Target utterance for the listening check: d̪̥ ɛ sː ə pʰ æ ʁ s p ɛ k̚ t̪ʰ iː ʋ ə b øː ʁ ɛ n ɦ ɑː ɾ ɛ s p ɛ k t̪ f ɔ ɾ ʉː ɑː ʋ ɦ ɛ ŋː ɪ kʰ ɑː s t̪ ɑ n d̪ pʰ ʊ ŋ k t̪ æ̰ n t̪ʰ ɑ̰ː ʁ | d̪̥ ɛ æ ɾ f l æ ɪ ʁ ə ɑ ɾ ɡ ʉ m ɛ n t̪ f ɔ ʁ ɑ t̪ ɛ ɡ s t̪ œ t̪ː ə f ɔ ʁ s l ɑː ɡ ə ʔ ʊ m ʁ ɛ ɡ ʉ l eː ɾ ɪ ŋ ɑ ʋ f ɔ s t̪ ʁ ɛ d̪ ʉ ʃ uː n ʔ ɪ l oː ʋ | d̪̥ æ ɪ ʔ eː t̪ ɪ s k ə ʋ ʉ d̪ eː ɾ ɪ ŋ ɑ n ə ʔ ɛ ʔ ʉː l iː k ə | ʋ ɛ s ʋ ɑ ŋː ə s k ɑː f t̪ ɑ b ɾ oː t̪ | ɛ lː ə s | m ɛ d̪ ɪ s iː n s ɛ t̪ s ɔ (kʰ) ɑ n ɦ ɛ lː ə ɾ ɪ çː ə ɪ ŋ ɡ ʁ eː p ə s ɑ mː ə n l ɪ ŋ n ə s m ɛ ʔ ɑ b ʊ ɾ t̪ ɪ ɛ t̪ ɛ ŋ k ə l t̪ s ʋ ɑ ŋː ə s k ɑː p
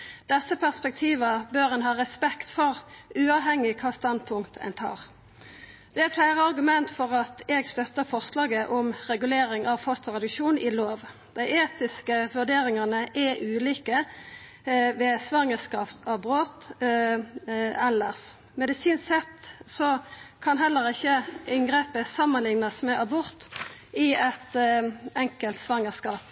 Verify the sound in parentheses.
correct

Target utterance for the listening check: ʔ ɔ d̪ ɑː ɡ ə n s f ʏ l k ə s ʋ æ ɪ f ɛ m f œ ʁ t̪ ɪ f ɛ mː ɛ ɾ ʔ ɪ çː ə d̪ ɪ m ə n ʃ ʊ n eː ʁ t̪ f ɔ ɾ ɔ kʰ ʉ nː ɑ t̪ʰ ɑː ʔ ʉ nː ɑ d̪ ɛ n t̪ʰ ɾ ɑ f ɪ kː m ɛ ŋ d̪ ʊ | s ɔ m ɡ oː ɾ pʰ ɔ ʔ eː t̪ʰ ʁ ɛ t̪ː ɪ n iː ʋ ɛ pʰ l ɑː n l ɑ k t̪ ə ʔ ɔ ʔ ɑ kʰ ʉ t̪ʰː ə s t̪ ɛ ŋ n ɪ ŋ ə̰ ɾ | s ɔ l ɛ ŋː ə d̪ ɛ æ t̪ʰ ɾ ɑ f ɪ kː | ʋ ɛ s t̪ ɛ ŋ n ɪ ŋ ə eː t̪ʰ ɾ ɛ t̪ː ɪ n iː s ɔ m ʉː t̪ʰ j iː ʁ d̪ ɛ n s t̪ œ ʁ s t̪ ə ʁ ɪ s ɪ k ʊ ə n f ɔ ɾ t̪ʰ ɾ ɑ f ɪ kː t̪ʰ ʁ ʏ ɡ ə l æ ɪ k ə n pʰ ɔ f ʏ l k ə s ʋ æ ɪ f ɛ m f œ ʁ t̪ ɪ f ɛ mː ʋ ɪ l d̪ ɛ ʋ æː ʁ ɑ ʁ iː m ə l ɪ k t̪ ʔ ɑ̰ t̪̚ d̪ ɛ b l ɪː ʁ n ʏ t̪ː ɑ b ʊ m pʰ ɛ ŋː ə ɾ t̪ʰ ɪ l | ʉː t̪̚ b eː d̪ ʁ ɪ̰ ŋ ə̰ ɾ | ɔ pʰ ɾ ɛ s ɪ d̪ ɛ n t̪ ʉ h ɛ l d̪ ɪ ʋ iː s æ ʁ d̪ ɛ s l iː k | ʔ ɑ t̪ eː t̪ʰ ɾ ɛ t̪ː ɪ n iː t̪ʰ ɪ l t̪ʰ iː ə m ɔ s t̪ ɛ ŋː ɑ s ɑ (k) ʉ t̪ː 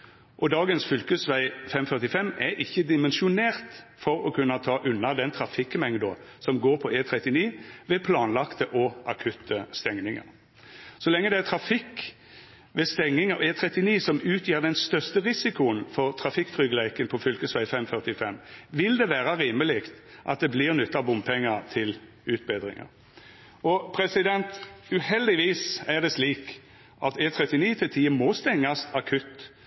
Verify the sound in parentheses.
incorrect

